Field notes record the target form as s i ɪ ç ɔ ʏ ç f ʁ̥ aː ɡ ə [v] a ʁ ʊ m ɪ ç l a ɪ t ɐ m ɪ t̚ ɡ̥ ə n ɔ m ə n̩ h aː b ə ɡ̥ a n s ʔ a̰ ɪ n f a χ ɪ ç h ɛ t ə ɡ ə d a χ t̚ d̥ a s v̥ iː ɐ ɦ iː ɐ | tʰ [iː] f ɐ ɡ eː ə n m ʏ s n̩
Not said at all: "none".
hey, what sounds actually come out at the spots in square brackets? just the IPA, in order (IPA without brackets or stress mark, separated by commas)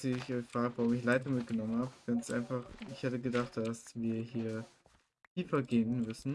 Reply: v, iː